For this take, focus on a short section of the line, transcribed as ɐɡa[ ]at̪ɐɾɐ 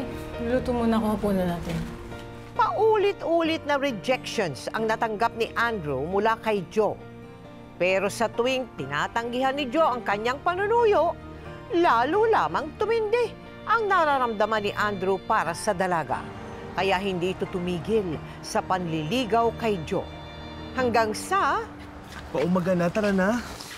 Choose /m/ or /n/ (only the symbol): n